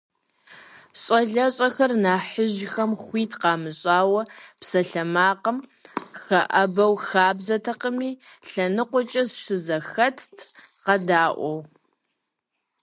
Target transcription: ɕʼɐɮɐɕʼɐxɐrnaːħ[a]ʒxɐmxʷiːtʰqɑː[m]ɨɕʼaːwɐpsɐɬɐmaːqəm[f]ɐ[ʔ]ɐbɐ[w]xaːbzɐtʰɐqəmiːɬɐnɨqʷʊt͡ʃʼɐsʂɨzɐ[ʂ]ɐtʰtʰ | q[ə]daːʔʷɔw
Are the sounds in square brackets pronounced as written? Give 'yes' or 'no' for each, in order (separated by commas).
no, yes, no, yes, yes, no, no